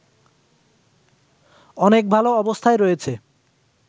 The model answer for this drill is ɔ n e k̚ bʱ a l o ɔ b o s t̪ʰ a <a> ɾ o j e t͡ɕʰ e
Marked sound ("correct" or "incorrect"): incorrect